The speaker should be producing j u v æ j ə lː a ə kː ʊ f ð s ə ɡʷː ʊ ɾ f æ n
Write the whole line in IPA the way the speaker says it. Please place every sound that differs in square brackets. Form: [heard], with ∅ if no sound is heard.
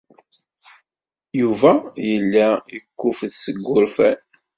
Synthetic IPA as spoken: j u v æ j ə lː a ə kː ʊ f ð s ə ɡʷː ʊ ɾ f æ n